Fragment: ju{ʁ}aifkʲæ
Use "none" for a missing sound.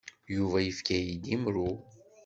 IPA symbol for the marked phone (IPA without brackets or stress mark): v